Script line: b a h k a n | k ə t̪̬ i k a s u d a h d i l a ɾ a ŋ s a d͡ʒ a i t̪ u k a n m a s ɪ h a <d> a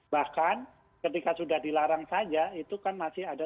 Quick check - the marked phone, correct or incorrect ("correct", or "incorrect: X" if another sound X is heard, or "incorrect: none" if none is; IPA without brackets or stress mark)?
correct